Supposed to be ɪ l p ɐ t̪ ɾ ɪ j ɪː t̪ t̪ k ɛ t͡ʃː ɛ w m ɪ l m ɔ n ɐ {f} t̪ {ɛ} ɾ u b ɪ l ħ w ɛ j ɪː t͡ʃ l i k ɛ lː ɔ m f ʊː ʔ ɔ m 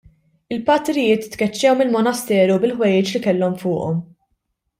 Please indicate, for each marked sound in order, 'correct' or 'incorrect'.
incorrect: s, incorrect: ɛː

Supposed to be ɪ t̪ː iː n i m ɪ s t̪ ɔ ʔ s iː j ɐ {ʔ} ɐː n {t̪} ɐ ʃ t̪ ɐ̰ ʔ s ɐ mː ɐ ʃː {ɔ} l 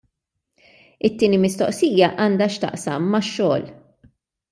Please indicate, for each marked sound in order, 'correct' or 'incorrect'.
correct, incorrect: d̪, incorrect: ɔː

